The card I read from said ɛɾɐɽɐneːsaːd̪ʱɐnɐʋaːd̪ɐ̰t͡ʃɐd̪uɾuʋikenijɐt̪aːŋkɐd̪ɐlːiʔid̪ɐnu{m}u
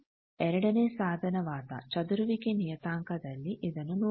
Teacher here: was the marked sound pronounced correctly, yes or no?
no